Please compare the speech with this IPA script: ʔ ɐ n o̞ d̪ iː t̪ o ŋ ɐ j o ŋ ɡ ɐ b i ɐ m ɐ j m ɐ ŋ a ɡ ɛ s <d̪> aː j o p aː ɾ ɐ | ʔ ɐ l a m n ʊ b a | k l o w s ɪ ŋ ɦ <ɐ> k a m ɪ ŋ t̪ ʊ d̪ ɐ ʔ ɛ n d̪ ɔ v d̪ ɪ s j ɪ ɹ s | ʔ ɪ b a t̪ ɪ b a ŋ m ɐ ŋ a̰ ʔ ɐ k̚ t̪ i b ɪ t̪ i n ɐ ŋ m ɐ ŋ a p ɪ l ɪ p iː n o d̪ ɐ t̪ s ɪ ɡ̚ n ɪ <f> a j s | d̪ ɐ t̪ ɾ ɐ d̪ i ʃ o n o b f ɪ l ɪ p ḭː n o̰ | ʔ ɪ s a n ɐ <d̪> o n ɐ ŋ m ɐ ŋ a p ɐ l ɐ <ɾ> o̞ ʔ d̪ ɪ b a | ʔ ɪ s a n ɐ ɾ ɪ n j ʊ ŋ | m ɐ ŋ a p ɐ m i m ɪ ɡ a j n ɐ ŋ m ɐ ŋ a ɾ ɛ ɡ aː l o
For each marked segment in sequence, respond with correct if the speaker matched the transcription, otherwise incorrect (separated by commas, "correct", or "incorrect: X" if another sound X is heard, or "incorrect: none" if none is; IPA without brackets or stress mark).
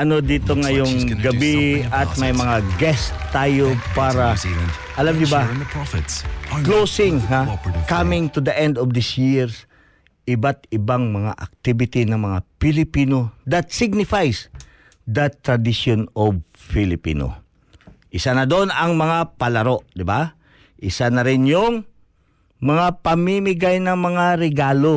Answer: incorrect: t̪, incorrect: a, correct, correct, correct